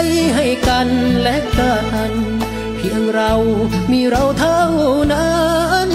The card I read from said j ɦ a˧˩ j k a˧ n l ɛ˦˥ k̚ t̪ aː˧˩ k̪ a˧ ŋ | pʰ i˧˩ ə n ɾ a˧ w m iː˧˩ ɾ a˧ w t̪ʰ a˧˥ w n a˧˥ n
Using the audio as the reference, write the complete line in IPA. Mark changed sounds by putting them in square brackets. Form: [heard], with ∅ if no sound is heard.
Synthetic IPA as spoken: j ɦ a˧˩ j k a˧ n l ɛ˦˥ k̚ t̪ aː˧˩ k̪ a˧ [n] | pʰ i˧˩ ə [ŋ] ɾ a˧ w m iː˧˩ ɾ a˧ w t̪ʰ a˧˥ w n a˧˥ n